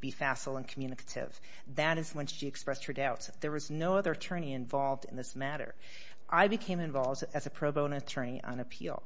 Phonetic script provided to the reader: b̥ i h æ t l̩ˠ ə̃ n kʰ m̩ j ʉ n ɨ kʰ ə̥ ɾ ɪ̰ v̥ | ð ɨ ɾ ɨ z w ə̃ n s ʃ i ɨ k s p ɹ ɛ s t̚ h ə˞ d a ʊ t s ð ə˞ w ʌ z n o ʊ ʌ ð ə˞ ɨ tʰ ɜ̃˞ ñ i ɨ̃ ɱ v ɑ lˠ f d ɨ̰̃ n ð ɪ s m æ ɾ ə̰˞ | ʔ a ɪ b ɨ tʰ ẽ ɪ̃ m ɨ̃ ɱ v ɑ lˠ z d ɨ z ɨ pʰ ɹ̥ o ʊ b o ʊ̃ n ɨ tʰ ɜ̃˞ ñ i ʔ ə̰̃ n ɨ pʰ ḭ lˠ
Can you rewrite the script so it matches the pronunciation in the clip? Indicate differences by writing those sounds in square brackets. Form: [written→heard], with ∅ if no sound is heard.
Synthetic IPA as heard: b̥ i [h→f] æ [t→s] l̩ˠ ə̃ n kʰ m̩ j ʉ n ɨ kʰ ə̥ ɾ ɪ̰ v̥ | ð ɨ ɾ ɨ z w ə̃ n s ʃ i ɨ k s p ɹ ɛ s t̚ h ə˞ d a ʊ t s ð ə˞ w ʌ z n o ʊ ʌ ð ə˞ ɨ tʰ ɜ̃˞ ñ i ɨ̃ ɱ v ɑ lˠ [f→v] d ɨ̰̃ n ð ɪ s m æ ɾ ə̰˞ | ʔ a ɪ b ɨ [tʰ→kʰ] ẽ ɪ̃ m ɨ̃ ɱ v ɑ lˠ [z→v] d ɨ z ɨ pʰ ɹ̥ o ʊ b o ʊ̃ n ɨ tʰ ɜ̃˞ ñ i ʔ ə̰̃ n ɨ pʰ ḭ lˠ